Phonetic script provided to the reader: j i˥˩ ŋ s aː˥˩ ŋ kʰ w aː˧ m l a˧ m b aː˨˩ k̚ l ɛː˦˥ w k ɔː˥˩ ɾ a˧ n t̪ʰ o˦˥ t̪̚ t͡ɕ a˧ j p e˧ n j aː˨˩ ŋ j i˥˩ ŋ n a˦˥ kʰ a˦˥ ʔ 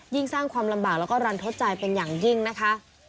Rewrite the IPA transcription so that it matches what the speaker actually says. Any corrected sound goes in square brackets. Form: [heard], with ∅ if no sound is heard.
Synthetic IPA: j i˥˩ ŋ s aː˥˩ ŋ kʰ w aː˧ m l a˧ m b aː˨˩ k̚ l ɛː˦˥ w k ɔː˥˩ ɾ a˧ n t̪ʰ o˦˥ t̪̚ t͡ɕ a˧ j p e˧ n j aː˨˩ ŋ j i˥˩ ŋ n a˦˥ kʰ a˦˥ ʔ